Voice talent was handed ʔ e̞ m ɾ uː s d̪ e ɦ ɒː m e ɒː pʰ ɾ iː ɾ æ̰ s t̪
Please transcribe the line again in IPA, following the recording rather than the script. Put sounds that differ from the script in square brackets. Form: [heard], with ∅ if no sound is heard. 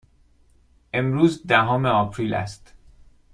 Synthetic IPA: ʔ e̞ m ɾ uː [z] d̪ [æ] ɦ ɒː m e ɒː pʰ ɾ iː [l] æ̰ s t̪